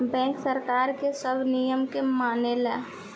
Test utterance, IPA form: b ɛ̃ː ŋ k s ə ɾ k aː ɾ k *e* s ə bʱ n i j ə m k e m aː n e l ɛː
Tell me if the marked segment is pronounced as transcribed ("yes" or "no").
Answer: yes